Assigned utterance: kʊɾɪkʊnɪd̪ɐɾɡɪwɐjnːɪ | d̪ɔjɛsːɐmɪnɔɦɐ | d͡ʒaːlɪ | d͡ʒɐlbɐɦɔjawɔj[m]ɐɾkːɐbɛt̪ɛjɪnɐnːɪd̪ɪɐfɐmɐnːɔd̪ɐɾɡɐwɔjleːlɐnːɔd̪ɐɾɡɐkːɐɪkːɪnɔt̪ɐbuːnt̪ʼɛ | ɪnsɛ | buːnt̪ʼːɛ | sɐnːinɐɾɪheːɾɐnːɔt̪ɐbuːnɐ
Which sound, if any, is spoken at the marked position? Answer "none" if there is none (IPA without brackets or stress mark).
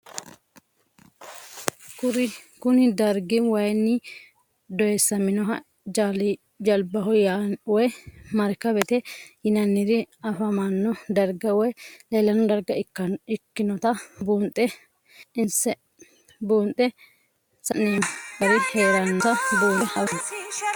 m